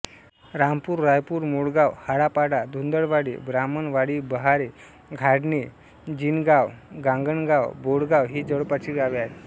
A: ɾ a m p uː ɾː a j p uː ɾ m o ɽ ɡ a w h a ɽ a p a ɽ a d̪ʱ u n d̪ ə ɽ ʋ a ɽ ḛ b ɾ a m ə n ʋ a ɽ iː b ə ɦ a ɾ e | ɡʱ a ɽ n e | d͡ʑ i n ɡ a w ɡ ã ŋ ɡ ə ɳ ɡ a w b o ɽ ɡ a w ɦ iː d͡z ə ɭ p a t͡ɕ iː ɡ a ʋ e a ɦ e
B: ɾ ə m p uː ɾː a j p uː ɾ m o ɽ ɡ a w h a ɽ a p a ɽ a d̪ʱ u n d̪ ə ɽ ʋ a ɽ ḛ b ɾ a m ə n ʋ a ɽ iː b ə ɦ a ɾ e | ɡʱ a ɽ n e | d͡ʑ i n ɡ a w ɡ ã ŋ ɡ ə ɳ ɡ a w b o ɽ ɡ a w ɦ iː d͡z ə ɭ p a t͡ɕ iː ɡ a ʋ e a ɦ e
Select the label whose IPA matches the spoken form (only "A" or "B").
A